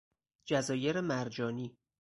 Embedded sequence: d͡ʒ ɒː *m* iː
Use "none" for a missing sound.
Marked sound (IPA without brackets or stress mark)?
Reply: n